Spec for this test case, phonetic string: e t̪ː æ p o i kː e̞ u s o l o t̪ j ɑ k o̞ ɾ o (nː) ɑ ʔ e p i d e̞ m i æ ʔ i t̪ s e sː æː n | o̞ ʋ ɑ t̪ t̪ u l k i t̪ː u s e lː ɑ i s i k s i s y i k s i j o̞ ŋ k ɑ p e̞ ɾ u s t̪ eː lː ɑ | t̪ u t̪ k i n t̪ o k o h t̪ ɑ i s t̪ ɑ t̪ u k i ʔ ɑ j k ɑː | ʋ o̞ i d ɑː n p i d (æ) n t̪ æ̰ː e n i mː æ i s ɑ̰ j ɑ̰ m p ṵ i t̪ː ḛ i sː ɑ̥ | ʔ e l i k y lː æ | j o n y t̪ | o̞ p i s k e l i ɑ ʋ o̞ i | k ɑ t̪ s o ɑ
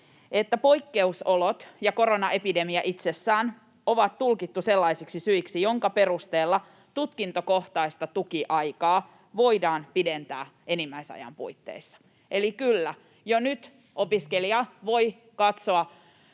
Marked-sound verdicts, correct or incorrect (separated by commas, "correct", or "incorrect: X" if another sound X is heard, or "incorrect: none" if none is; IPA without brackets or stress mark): incorrect: n, incorrect: e